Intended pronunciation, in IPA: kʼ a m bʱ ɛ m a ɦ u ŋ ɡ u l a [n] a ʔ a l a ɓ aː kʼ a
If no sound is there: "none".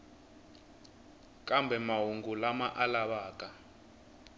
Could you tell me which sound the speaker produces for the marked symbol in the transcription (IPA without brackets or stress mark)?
m